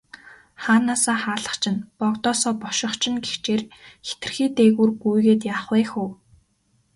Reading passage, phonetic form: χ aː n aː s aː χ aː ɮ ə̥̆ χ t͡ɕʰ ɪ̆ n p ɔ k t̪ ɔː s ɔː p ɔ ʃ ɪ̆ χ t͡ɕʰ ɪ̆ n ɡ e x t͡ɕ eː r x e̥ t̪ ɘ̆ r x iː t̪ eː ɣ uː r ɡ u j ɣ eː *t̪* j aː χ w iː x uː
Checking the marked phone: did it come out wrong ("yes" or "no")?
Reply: no